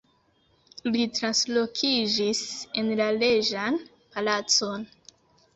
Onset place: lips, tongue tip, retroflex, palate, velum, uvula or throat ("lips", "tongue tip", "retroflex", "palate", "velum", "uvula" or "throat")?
tongue tip